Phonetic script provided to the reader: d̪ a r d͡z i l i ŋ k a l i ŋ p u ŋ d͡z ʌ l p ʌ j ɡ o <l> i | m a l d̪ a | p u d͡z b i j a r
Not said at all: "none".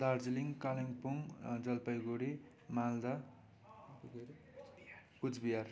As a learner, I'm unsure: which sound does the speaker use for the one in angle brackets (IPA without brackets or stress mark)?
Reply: ɽ